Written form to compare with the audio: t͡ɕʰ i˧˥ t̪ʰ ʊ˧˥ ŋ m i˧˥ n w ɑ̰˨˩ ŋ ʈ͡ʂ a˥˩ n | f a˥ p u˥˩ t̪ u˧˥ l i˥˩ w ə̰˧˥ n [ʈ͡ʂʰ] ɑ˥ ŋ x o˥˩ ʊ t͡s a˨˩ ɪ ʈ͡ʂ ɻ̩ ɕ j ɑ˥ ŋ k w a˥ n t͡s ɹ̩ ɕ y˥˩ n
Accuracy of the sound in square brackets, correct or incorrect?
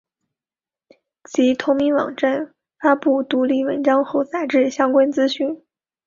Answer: incorrect: ʈ͡ʂ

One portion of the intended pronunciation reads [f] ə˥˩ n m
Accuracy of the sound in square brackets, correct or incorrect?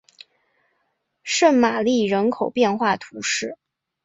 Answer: incorrect: ʂ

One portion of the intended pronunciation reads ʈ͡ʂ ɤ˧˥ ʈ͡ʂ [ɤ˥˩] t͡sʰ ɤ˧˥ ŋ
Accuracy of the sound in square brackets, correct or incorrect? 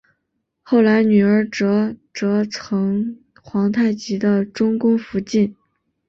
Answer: incorrect: ɤ˧˥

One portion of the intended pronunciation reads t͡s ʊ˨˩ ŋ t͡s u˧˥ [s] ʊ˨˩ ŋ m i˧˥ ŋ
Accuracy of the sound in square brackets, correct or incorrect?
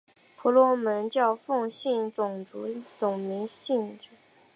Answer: incorrect: t͡s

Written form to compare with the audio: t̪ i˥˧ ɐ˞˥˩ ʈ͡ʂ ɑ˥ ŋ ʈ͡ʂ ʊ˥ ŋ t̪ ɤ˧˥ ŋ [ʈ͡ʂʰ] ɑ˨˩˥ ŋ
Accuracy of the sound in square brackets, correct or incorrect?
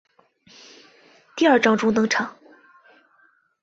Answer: correct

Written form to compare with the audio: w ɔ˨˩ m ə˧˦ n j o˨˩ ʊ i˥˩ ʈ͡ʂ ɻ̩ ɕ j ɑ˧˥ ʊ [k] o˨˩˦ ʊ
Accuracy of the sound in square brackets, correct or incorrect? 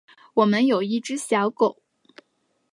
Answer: correct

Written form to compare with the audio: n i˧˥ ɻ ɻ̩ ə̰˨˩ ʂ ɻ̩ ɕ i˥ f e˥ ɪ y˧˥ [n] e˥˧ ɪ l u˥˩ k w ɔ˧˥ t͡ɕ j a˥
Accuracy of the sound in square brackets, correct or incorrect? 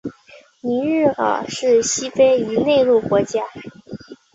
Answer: correct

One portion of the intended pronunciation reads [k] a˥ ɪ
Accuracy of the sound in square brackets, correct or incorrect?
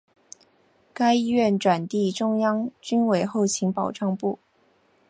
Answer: correct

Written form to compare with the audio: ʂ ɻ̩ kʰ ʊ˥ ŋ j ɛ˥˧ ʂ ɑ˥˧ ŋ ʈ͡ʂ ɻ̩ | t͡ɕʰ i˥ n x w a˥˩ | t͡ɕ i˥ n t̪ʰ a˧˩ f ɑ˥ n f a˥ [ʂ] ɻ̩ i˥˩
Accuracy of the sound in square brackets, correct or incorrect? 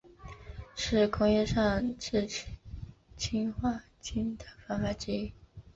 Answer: incorrect: ʈ͡ʂ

